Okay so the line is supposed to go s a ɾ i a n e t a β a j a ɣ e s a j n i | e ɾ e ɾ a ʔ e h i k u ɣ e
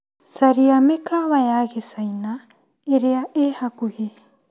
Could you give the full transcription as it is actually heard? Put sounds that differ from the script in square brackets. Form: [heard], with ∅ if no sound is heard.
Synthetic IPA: s a ɾ i a [m] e [k] a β a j a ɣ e s a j n [a] | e ɾ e [∅] a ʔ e h [a] k u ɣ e

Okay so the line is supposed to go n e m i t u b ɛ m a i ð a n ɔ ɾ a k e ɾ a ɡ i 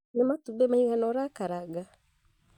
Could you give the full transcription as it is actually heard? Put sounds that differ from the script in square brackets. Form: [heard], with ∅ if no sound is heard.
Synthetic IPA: n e m [a] t u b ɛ m a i [ɣ] a n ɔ ɾ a k [a] ɾ a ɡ [a]

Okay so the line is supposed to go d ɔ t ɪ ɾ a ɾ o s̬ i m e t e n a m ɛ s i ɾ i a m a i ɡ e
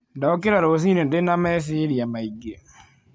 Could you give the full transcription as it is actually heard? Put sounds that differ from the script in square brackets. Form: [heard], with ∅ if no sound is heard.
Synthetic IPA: d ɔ [k] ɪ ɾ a ɾ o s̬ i [n] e [d] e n a m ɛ s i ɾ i a m a i ɡ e

